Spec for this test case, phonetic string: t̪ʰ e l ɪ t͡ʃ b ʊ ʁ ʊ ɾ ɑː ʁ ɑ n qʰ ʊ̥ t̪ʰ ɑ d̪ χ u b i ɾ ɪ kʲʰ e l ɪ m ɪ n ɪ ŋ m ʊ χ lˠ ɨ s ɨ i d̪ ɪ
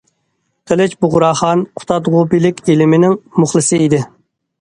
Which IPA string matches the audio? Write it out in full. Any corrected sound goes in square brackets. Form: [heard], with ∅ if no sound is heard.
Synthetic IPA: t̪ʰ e l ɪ t͡ʃ b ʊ ʁ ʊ ɾ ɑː [χ] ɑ n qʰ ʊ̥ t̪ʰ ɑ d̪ [ʁ] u b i [l] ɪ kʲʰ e l ɪ m ɪ n ɪ ŋ m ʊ χ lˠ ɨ s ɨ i d̪ ɪ

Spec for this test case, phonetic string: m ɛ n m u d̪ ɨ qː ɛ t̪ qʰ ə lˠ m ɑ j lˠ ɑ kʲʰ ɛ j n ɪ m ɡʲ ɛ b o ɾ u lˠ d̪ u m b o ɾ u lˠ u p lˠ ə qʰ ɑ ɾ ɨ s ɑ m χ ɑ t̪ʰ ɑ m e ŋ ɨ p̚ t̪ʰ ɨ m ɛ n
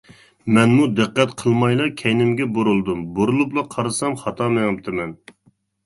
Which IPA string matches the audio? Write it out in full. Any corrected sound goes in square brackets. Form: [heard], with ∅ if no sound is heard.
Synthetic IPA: m ɛ n m u d̪ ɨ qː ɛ t̪ qʰ ə lˠ m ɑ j lˠ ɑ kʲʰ ɛ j n ɪ m ɡʲ ɛ b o ɾ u lˠ d̪ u m b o ɾ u lˠ u p lˠ [ɑ] qʰ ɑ ɾ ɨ s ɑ m χ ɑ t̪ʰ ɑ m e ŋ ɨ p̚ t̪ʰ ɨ m ɛ n

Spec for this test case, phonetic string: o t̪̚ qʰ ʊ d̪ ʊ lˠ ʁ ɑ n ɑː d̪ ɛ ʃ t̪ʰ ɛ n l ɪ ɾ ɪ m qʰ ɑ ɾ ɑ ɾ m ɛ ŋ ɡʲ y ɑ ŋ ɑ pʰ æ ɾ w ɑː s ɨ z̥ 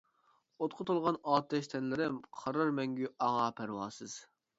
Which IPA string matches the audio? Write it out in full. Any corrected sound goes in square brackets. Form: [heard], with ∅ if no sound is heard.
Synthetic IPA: o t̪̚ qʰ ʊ [t̪] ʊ lˠ ʁ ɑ n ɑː [t̪] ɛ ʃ t̪ʰ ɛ n l ɪ ɾ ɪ m qʰ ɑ ɾ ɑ ɾ m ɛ ŋ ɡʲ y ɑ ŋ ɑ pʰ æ ɾ w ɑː s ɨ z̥

